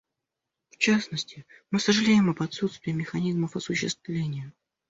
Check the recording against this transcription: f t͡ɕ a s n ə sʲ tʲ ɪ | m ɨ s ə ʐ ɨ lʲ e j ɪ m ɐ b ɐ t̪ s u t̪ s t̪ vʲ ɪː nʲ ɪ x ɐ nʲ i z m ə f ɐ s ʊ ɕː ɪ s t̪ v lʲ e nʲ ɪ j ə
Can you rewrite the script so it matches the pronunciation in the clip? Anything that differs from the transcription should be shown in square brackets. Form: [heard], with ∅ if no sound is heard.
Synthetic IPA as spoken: f t͡ɕ a s n ə sʲ tʲ ɪ | m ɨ s ə ʐ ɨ lʲ e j ɪ m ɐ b ɐ t̪ s u t̪ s t̪ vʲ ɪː [mʲ] ɪ x ɐ nʲ i z m ə f ɐ s ʊ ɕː ɪ s t̪ v lʲ e nʲ ɪ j ə